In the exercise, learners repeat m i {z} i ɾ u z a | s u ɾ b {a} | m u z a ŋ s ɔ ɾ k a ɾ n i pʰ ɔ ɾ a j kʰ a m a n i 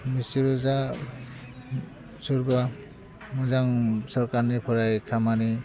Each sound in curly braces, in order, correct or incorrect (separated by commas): incorrect, correct